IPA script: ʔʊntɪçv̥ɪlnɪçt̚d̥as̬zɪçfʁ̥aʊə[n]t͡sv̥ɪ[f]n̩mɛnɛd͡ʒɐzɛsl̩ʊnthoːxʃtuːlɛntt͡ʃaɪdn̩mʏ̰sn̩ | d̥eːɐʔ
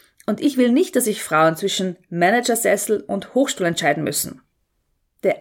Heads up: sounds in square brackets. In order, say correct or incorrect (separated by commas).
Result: correct, incorrect